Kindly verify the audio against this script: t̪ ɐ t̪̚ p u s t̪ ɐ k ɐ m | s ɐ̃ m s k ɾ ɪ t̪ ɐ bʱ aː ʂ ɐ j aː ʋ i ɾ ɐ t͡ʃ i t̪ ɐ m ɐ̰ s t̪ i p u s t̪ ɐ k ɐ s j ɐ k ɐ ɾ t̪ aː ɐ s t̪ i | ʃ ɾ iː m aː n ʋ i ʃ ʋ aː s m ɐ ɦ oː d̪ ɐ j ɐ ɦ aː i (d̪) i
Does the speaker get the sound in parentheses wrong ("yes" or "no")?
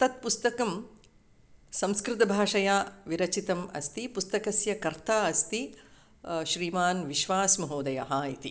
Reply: yes